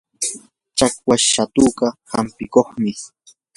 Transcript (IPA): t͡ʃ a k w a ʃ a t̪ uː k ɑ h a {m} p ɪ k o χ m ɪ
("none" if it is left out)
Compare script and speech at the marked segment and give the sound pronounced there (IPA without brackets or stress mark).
m